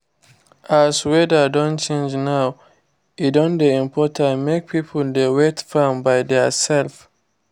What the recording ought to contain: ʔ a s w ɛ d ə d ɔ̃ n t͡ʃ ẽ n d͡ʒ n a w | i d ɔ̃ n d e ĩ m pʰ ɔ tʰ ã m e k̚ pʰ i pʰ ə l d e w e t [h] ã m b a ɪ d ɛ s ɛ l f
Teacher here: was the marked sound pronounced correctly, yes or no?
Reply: no